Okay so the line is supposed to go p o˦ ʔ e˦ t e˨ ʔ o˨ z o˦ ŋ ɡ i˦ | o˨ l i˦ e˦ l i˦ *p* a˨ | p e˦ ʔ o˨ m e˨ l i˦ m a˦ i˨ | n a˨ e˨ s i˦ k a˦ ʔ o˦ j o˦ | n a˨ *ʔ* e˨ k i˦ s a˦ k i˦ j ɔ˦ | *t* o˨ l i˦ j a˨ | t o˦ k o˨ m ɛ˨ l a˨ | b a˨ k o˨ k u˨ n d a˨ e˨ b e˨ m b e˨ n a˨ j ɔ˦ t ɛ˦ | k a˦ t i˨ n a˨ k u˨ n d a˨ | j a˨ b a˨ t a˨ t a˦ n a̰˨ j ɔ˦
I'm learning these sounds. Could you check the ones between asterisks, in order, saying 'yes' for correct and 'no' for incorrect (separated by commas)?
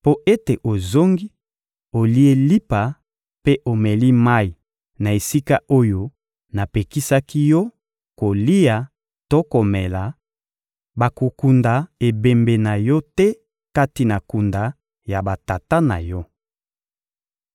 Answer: yes, no, no